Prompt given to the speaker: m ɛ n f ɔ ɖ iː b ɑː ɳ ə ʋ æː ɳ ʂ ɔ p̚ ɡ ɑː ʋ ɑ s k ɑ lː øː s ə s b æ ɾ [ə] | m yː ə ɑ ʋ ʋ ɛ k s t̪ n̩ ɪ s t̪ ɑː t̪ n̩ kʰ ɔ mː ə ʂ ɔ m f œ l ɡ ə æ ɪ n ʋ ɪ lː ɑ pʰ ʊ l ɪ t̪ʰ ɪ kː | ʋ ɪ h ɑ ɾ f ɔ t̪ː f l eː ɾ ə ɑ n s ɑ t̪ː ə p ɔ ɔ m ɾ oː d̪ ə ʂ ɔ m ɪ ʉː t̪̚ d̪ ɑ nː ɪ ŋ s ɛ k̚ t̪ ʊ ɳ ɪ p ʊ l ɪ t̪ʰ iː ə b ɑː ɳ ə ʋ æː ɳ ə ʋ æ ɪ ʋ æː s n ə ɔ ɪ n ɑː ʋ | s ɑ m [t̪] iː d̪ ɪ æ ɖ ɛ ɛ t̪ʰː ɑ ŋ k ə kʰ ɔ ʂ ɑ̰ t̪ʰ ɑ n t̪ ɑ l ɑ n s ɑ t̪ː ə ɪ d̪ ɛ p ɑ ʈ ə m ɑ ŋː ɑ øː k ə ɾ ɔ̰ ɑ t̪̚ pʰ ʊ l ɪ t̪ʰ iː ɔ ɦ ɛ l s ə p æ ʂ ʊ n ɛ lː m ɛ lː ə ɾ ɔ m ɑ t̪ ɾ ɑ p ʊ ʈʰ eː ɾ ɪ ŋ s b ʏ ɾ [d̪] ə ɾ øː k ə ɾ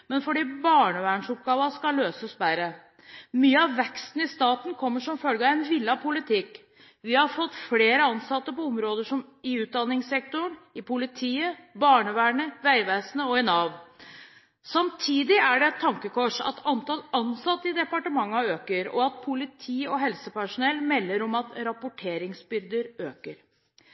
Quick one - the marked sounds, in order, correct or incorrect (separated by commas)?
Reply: correct, incorrect, correct